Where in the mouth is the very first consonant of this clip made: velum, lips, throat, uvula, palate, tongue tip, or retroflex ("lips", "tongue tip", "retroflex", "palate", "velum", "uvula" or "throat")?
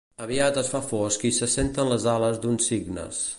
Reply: lips